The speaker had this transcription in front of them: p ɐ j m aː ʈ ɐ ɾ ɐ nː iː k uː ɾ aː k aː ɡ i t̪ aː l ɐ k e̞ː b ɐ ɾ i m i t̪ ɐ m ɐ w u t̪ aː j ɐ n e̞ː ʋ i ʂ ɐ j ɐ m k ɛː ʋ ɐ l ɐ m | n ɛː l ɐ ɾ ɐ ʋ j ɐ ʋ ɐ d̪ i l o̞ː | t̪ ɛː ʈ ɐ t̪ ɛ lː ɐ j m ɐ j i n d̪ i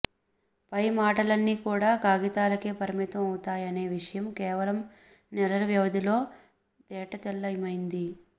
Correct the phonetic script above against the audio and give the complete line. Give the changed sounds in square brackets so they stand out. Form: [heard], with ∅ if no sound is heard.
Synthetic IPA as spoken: p ɐ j m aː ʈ ɐ [l] ɐ nː iː k uː [ɽ] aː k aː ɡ i t̪ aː l ɐ k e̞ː [p] ɐ ɾ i m i t̪ ɐ m ɐ w u t̪ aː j ɐ n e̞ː ʋ i ʂ ɐ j ɐ m k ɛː ʋ ɐ l ɐ m | n [ɛ] l ɐ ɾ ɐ ʋ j ɐ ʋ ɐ d̪ i l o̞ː | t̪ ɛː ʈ ɐ t̪ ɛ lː ɐ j m ɐ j i n d̪ i